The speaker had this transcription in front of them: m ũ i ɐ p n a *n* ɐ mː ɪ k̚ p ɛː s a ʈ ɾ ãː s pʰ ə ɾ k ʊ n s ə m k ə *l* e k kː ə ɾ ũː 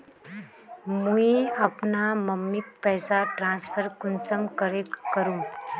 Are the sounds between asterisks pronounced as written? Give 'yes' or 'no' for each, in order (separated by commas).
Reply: no, no